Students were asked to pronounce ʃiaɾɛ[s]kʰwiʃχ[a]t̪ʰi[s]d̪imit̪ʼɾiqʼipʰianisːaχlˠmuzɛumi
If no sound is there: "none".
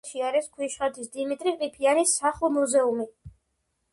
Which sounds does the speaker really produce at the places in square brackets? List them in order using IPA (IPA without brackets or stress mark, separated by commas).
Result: s, a, s